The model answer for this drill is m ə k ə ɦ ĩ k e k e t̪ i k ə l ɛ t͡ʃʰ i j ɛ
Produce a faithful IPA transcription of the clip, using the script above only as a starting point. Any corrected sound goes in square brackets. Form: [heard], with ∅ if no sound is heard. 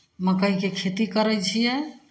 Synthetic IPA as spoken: m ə k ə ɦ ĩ k e [kʰ] e t̪ i k ə [ɾ] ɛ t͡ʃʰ i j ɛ